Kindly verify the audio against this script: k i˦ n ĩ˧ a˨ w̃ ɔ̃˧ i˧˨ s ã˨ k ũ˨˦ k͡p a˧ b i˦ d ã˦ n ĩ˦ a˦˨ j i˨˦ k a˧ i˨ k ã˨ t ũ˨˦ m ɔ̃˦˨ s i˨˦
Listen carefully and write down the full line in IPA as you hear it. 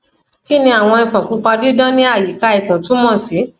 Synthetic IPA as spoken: k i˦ n ĩ˧ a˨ w̃ ɔ̃˧ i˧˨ f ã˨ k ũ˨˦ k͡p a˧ d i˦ d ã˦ n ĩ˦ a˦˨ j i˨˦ k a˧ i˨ k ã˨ t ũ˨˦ m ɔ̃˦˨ s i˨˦